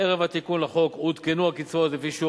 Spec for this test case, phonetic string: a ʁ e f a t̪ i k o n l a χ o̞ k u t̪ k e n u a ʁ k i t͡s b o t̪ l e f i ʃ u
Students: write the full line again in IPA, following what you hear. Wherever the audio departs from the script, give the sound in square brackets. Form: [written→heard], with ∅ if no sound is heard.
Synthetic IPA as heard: [a→e] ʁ e [f→v] a t̪ i k [o→u] n l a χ o̞ k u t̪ k e n u a [ʁ→∅] k i t͡s [b→v] o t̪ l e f i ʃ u